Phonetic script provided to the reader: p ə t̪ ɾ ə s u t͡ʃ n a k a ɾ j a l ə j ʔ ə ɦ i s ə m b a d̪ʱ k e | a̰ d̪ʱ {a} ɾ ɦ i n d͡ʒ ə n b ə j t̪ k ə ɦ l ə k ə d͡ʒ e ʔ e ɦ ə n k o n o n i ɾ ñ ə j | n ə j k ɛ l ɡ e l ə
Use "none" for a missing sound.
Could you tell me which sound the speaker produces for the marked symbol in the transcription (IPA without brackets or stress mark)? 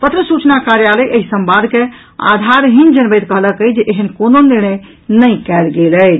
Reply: a